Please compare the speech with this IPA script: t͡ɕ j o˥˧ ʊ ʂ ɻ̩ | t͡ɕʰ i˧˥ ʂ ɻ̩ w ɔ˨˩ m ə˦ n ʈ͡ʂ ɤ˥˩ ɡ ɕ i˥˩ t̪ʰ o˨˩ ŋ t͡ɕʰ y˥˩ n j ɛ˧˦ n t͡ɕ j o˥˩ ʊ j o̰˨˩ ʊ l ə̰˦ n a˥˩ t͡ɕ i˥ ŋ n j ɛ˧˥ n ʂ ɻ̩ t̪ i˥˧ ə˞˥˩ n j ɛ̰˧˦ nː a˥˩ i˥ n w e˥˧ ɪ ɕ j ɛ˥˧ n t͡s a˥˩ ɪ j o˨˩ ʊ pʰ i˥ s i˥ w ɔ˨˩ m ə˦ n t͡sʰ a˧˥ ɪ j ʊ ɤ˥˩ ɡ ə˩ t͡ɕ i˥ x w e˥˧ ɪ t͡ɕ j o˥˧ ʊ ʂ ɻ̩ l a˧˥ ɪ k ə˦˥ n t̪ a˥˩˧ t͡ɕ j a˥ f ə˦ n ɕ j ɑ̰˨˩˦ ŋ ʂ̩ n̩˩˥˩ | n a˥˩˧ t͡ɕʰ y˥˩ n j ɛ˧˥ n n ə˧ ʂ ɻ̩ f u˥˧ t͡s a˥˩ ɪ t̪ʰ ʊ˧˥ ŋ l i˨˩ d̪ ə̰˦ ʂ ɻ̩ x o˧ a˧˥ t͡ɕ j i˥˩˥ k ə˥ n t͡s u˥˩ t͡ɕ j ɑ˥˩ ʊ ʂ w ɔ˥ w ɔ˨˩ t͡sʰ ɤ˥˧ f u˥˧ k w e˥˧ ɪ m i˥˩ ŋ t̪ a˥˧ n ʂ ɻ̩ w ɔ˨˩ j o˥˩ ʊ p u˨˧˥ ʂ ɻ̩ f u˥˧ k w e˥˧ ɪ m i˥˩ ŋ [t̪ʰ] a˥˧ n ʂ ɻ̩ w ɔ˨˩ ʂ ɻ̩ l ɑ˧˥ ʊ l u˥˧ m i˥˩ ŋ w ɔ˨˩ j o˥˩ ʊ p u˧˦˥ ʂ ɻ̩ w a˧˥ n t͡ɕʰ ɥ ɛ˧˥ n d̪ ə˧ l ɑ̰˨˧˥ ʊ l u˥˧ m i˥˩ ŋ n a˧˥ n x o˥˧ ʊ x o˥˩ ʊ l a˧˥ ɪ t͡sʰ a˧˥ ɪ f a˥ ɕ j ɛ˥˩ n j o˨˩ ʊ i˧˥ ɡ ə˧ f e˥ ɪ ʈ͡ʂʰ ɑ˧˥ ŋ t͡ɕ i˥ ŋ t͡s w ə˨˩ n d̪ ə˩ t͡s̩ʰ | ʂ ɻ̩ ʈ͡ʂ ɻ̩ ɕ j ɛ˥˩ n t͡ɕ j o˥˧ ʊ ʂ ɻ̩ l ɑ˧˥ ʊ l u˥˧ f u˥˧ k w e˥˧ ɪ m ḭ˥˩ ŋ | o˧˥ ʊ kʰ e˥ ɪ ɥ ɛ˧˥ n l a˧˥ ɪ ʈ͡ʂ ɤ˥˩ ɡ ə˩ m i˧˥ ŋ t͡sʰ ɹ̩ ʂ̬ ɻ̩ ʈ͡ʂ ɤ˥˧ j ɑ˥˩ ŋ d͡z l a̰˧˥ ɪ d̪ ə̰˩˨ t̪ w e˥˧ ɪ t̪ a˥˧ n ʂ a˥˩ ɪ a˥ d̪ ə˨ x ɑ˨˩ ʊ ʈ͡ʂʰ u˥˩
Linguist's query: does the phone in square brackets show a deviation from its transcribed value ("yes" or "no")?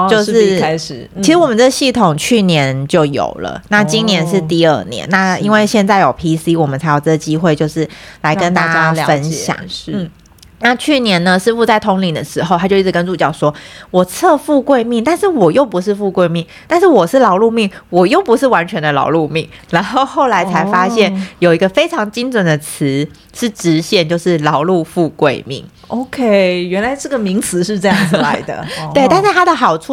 yes